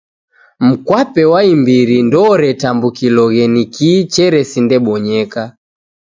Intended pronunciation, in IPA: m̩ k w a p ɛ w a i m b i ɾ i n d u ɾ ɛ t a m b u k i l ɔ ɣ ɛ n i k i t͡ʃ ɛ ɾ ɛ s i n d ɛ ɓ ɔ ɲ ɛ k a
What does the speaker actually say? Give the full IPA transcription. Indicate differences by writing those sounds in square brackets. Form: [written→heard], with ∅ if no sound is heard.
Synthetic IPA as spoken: m̩ k w a p ɛ w a i m b i ɾ i n d [u→ɔ] ɾ ɛ t a m b u k i l ɔ ɣ ɛ n i k i t͡ʃ ɛ ɾ ɛ s i n d ɛ ɓ ɔ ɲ ɛ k a